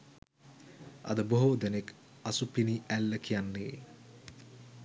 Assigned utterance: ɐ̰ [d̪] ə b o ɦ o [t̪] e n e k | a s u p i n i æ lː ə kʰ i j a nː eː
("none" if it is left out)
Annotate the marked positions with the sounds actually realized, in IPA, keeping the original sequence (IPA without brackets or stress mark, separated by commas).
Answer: d̪, d̪